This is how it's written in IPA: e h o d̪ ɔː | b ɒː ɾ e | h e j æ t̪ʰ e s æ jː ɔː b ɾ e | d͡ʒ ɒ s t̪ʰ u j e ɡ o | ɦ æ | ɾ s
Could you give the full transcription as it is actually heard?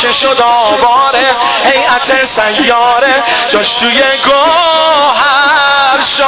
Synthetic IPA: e ʃ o d̪ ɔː | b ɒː ɾ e | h e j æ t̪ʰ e s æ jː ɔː ɾ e | d͡ʒ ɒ ʃ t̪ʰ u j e ɡ o | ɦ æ | ɾ ʃ